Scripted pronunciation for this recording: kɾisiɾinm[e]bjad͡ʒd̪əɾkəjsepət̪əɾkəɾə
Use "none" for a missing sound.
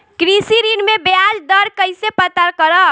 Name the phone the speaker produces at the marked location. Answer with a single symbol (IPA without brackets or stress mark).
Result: e